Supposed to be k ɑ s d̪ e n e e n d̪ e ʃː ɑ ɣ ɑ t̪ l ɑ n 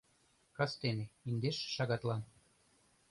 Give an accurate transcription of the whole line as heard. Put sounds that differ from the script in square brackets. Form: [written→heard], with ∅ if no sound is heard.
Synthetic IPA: k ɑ s [d̪→t̪] e n e [e→i] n d̪ e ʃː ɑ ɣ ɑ t̪ l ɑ n